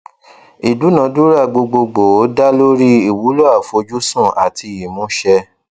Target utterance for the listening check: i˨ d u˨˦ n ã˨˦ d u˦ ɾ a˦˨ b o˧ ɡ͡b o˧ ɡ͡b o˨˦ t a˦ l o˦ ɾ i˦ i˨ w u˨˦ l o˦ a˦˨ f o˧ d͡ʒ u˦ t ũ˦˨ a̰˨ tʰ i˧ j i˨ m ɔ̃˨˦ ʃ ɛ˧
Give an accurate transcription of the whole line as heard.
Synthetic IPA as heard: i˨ d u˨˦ n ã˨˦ d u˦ ɾ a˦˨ ɡ͡b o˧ ɡ͡b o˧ ɡ͡b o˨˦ d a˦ l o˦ ɾ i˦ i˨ w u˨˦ l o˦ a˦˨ f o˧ d͡ʒ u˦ s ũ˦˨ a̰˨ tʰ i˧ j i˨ m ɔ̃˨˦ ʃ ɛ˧